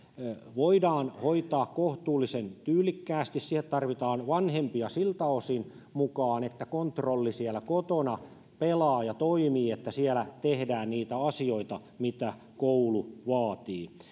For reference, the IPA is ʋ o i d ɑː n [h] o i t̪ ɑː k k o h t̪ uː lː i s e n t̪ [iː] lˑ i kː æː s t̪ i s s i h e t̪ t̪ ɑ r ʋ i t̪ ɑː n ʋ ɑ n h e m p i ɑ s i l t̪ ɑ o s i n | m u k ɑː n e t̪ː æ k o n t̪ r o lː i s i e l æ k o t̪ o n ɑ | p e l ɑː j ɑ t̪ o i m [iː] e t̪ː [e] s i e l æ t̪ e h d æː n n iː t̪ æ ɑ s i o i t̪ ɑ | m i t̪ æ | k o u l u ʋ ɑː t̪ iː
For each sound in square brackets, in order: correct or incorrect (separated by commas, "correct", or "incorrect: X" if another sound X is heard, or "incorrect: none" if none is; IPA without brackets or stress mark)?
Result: correct, incorrect: yː, correct, incorrect: æ